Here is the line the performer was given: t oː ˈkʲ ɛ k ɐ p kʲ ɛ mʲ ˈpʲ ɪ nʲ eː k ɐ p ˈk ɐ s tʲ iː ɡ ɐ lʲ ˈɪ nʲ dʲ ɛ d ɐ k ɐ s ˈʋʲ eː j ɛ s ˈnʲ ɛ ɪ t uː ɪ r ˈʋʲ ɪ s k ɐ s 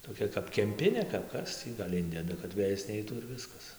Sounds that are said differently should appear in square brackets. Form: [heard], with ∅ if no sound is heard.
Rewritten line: t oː ˈkʲ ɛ k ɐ p kʲ ɛ mʲ ˈpʲ ɪ nʲ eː k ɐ p ˈk ɐ s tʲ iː ɡ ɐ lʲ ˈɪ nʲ dʲ ɛ d ɐ k ɐ [t] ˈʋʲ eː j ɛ s ˈnʲ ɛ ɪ t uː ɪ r ˈʋʲ ɪ s k ɐ s